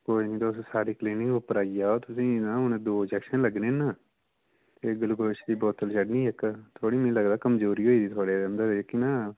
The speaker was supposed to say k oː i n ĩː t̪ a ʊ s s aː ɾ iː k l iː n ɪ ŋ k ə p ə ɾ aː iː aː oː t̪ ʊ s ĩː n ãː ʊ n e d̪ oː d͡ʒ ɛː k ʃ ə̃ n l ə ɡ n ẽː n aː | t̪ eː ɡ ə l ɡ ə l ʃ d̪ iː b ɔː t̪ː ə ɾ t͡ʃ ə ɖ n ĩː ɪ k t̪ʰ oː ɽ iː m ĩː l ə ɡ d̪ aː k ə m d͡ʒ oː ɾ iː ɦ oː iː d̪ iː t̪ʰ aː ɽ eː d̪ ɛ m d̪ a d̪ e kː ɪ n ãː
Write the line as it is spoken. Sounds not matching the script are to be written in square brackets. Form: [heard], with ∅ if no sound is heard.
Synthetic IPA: k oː i n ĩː t̪ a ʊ s s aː ɾ iː k l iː n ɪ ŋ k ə p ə ɾ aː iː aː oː t̪ ʊ s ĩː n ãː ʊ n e d̪ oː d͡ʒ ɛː k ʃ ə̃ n l ə ɡ n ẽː n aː | t̪ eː ɡ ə l ɡ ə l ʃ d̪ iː b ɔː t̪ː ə [l] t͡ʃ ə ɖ n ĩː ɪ k t̪ʰ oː ɽ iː m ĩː l ə ɡ d̪ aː k ə m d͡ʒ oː ɾ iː ɦ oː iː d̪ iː t̪ʰ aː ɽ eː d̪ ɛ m d̪ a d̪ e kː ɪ n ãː